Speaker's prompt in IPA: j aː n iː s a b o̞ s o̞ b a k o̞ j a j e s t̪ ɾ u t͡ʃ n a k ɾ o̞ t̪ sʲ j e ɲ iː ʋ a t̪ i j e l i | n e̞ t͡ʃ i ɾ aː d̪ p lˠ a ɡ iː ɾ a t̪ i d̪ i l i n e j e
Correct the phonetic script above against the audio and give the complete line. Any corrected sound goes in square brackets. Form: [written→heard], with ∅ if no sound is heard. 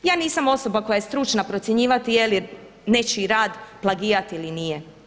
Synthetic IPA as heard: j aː n iː s a [b→m] o̞ s o̞ b a k o̞ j a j e s t̪ ɾ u t͡ʃ n a [k→p] ɾ o̞ t̪ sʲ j e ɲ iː ʋ a t̪ i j e l i | n e̞ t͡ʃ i ɾ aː d̪ p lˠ a ɡ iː ɾ a t̪ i [d̪→∅] i l i n [e→i] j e